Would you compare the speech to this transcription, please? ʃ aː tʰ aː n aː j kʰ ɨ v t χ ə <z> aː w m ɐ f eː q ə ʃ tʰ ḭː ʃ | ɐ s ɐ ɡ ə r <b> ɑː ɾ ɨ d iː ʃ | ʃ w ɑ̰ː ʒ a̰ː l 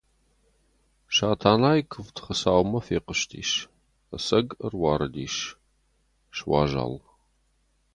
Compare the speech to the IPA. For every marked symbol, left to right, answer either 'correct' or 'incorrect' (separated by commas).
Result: incorrect, incorrect